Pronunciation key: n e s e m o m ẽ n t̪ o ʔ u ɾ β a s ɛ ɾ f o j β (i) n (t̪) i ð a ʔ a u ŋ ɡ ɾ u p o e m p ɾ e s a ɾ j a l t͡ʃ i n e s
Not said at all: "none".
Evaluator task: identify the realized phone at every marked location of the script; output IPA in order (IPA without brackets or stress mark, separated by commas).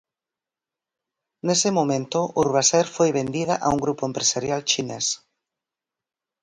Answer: e, d̪